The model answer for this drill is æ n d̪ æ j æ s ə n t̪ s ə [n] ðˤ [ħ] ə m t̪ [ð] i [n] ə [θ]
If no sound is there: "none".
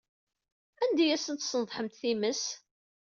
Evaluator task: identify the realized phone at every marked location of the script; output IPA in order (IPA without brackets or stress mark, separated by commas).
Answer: n, ħ, θ, m, s